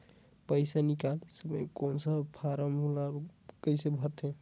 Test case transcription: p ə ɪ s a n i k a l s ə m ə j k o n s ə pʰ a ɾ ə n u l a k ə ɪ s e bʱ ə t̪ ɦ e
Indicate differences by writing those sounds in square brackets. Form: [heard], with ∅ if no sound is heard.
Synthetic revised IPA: p ə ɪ s a n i k a l s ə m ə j k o n s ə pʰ a ɾ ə [m] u l a k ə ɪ s e bʱ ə t̪ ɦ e